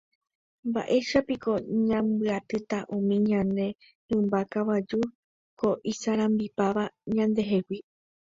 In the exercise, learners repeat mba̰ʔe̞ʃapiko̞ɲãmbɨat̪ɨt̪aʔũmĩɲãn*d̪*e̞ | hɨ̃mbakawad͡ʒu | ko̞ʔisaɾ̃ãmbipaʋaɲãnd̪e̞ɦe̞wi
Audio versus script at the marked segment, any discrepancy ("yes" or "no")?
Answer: no